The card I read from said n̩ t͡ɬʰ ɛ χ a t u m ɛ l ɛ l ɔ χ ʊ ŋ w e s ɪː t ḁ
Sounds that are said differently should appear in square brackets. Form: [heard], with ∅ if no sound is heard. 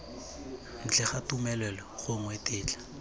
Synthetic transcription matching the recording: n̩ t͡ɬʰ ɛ χ a t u m ɛ l ɛ l ɔ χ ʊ ŋ w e [t] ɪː [t͡ɬ] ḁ

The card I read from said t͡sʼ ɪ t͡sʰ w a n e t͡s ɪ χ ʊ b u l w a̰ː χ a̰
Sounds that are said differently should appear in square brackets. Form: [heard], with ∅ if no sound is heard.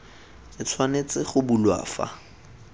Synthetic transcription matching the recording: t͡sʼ ɪ t͡sʰ w a n e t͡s ɪ χ ʊ b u l w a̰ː [f] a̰

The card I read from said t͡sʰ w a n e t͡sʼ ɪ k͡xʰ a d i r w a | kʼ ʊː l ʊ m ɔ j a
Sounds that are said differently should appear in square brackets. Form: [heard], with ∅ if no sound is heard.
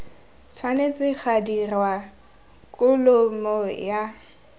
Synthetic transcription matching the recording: t͡sʰ w a n e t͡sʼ ɪ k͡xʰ a d i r w a | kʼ [ʊ] l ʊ m ɔ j a

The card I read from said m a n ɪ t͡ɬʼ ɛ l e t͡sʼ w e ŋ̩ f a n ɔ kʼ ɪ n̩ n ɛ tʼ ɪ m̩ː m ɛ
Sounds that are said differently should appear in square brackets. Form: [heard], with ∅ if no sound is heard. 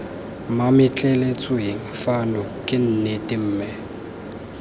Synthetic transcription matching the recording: m a [m] ɪ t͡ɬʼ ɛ l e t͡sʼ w e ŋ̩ f a n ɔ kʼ ɪ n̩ n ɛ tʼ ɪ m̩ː m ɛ

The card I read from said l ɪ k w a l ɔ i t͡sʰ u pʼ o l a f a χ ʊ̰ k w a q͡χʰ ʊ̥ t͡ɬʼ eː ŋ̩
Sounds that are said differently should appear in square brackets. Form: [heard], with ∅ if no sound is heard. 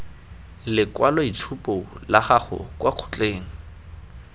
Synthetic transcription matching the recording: l ɪ k w a l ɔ i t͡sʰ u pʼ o l a [χ] a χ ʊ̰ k w a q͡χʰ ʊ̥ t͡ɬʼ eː ŋ̩

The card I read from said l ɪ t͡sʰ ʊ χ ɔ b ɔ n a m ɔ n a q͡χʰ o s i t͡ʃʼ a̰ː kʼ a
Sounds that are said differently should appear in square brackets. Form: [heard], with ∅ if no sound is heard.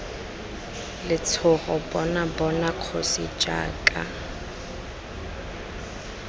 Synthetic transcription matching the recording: l ɪ t͡sʰ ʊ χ ɔ b ɔ n a [b] ɔ n a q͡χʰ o s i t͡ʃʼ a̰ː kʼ a

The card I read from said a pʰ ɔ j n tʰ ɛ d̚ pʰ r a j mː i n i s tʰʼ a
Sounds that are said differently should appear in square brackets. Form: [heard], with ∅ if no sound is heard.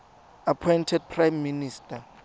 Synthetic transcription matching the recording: a pʰ ɔ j n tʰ ɛ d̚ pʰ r a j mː i n i s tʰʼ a

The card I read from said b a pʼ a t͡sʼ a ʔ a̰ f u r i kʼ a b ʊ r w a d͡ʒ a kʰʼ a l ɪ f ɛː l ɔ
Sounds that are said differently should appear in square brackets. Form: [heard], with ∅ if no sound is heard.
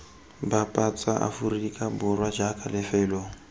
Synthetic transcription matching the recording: b a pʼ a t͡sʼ a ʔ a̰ f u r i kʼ a b ʊ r w a d͡ʒ a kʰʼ a l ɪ f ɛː l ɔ

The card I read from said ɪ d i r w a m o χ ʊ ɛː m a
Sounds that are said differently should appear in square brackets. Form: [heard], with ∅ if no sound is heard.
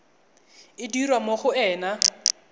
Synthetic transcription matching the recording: ɪ d i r w a m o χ ʊ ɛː [n] a

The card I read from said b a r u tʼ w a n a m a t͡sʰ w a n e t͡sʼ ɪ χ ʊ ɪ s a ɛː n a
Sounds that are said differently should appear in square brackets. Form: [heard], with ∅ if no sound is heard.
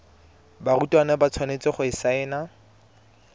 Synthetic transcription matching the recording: b a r u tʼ w a n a [b] a t͡sʰ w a n e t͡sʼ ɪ χ ʊ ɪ s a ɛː n a

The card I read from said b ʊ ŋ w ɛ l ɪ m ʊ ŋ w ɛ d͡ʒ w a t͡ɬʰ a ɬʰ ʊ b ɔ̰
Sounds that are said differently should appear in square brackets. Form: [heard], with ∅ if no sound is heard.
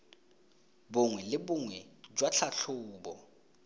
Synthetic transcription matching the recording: b ʊ ŋ w ɛ l ɪ [b] ʊ ŋ w ɛ d͡ʒ w a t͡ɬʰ a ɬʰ [ʊː] b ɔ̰

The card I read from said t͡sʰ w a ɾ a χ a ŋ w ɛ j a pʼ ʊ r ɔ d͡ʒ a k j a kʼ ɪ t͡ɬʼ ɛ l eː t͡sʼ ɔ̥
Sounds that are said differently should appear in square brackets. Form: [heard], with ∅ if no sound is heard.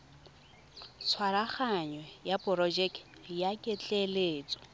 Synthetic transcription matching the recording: t͡sʰ w a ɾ a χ a [ɲ] w ɛ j a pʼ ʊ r ɔ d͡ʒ [ɛ] k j a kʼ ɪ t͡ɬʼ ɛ l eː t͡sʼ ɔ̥

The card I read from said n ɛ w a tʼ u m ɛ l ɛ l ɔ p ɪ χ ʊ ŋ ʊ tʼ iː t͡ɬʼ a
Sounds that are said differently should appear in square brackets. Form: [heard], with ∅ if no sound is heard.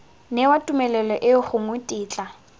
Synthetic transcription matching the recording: n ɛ w a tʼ u m ɛ l ɛ l ɔ [ʔ] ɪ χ ʊ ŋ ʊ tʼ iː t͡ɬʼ a

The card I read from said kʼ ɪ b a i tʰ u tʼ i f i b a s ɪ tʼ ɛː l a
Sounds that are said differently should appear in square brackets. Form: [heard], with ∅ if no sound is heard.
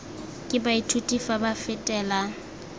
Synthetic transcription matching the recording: kʼ ɪ b a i tʰ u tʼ i f [a] b a [f] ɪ tʼ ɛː l a

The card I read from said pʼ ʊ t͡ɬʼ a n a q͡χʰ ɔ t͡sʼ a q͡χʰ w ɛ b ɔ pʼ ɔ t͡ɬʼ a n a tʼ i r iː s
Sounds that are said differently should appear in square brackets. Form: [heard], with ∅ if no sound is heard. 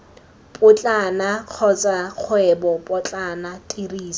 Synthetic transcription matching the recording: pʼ ʊ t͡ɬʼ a n a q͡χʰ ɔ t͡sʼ a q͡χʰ w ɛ b ɔ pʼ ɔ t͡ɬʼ a n a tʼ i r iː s

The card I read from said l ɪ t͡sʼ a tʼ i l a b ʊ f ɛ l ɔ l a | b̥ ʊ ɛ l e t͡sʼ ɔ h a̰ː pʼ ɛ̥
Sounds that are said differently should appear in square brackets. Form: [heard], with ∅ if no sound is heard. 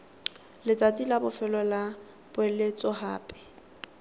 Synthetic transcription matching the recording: l ɪ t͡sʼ a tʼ i l a b ʊ f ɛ l ɔ l a | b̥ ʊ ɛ l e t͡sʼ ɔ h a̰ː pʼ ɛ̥

